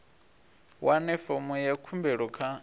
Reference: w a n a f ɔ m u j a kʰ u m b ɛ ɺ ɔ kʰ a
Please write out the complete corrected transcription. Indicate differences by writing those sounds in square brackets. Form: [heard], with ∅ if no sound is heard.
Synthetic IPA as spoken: w a n [ɛ] f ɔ m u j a kʰ u m b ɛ ɺ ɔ kʰ a